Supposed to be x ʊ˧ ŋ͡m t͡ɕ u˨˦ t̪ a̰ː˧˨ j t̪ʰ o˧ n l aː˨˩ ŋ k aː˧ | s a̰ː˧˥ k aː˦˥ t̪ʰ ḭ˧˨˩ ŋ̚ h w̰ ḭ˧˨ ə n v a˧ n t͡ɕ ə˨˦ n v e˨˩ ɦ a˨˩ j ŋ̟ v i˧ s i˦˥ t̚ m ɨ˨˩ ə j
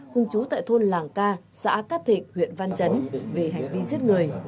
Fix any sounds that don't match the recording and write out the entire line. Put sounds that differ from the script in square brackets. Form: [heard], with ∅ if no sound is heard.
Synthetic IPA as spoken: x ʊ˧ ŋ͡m t͡ɕ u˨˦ t̪ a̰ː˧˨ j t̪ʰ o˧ n l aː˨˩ ŋ k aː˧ | s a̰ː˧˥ k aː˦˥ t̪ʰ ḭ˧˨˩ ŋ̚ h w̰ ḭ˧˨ ə n v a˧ n t͡ɕ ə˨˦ n v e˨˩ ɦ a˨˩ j ŋ̟ v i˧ [z] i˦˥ t̚ [ŋ] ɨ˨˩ ə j